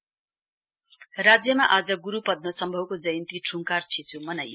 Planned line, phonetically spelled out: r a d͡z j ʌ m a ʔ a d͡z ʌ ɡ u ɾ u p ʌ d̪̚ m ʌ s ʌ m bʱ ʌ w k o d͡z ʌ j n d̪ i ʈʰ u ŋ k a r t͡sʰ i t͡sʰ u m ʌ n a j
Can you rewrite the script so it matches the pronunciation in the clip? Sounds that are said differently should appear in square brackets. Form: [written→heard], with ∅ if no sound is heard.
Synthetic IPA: r a d͡z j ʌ m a ʔ a d͡z ʌ ɡ u ɾ u p ʌ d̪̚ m ʌ s ʌ m bʱ ʌ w k o d͡z ʌ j n [d̪→t̪] i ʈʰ u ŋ k a r t͡sʰ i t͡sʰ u m ʌ n a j